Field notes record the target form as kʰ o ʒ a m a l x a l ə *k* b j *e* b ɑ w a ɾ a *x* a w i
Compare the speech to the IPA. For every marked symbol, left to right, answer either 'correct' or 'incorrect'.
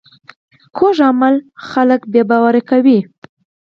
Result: correct, correct, incorrect

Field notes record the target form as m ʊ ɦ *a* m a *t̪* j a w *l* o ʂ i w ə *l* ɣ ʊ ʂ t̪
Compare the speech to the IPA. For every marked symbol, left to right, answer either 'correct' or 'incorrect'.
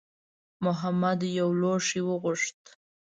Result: correct, incorrect, correct, incorrect

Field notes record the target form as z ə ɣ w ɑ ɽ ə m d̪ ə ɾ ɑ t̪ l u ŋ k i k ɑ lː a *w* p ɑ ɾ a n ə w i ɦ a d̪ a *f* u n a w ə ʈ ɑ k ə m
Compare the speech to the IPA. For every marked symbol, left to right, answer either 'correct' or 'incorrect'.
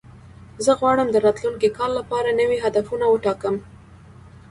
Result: incorrect, correct

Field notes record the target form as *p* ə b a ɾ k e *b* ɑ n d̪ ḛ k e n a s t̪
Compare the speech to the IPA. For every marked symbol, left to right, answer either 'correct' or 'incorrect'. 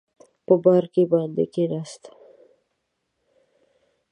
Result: correct, correct

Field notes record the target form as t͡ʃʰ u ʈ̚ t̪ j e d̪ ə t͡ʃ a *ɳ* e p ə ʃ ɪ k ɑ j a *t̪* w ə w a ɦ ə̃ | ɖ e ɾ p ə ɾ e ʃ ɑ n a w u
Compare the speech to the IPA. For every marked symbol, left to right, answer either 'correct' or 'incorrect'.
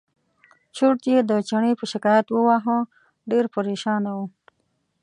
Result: correct, correct

